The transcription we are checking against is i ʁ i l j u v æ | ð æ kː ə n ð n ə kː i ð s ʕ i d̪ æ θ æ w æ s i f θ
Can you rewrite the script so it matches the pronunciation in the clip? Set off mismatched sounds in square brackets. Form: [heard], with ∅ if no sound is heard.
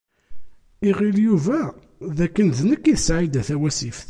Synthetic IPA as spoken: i ʁ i l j u v æ | ð æ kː ə n ð n ə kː i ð s ʕ i d̪ æ θ æ w æ s i f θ